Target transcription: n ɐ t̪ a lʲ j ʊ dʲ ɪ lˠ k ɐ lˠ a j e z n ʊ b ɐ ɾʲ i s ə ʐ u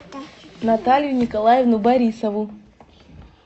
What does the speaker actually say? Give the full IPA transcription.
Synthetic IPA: n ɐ t̪ a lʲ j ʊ nʲ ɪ k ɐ lˠ a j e v n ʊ b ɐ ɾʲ i s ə v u